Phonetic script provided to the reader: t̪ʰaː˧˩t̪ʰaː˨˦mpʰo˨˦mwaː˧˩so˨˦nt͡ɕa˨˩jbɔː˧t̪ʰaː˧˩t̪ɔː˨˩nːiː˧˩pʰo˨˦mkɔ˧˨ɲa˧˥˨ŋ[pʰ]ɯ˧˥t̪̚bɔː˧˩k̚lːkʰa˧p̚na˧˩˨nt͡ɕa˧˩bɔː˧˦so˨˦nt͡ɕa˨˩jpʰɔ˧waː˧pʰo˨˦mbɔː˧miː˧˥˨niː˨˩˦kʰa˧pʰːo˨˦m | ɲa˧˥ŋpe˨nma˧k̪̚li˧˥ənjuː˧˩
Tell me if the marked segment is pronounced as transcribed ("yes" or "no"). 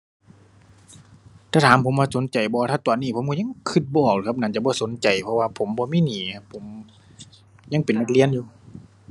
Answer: no